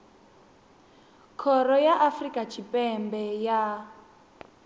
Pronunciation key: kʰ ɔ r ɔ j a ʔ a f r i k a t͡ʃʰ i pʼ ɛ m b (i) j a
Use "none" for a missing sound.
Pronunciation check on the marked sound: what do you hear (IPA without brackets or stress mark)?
ɛ